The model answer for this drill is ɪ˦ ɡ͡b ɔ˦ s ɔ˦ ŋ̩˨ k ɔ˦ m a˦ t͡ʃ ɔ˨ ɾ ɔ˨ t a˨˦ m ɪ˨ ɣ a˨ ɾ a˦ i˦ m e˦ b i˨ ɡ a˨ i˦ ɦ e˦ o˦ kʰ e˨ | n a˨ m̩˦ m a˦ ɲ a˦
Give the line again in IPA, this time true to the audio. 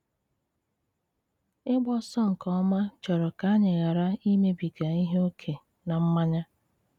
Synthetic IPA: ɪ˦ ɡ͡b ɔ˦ s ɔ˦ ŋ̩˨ k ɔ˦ m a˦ t͡ʃ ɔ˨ ɾ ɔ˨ k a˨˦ ɲ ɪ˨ ɣ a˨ ɾ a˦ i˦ m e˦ b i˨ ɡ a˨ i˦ ɦ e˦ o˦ kʰ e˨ | n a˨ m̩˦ m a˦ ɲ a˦